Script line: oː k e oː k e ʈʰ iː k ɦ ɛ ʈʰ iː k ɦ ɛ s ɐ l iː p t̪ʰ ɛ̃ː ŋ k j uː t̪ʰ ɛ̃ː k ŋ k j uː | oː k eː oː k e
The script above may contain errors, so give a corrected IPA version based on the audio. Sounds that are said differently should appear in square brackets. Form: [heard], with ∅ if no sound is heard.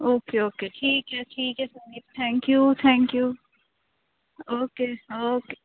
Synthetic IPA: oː k e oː k e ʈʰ iː k ɦ ɛ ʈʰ iː k ɦ ɛ s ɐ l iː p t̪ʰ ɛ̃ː ŋ k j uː t̪ʰ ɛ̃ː [∅] ŋ k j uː | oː k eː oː k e